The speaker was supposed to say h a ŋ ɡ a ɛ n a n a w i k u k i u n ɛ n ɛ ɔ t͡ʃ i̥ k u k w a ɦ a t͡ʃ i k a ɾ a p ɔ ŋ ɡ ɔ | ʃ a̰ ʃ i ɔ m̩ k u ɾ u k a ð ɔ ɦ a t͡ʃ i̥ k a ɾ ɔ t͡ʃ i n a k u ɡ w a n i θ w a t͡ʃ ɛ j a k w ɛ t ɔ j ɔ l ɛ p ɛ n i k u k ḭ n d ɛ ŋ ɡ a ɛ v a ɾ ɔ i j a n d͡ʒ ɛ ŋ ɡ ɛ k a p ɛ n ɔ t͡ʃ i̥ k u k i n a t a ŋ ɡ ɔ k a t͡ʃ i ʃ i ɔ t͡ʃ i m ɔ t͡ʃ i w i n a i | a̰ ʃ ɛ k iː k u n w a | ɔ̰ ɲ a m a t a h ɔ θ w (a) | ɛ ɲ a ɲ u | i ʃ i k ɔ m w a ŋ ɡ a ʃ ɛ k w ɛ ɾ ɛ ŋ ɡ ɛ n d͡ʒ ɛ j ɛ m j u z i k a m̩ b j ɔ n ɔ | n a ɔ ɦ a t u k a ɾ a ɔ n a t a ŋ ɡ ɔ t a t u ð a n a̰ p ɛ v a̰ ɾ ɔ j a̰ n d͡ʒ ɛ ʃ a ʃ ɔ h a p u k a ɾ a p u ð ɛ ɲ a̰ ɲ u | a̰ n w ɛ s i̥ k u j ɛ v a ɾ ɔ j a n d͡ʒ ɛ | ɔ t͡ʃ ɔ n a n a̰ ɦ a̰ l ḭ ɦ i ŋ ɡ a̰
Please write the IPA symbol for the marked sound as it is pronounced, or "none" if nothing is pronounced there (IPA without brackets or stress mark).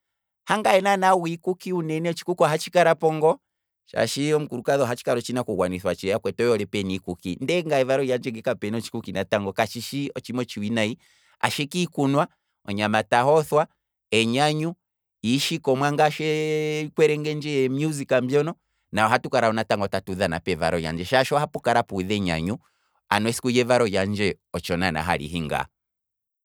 a